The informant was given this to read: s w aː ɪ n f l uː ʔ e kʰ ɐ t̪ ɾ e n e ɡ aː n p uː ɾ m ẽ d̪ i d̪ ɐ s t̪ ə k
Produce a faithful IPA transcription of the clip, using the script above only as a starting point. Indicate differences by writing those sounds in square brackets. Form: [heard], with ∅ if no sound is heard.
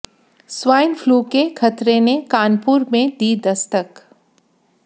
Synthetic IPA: s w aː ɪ n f l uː [k] e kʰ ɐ t̪ ɾ e n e [k] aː n p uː ɾ m ẽ d̪ i d̪ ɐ s t̪ ə k